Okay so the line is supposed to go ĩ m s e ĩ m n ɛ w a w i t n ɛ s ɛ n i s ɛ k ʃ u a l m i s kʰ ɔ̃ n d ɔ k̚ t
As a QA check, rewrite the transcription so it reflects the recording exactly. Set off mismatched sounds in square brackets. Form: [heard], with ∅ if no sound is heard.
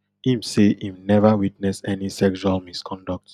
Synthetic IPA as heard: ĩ m s e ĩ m n ɛ [v] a w i t n ɛ s ɛ n i s ɛ k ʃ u a l m i s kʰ ɔ̃ n d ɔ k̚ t